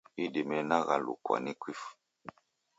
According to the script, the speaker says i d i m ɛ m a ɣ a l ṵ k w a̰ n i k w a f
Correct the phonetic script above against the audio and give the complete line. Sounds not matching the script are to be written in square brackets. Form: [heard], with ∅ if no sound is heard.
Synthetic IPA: i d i m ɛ [n] a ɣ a l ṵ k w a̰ n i k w [i] f